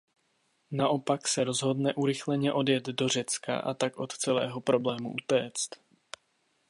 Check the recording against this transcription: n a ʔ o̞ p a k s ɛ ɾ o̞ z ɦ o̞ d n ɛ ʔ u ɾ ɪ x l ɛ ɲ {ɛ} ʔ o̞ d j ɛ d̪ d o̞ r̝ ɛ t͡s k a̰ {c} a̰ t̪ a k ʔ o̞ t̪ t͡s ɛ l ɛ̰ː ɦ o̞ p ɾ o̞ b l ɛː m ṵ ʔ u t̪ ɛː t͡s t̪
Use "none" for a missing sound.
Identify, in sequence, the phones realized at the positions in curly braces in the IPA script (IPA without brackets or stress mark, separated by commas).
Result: ɛ, ʔ